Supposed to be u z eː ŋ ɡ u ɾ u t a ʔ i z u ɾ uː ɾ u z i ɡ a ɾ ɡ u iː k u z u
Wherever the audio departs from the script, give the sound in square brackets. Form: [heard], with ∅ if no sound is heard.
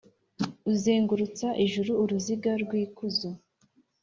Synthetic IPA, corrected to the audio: u z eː ŋ ɡ u ɾ u [t͡s] a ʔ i [ʒ] u ɾ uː ɾ u z i ɡ a ɾ ɡ [w] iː k u z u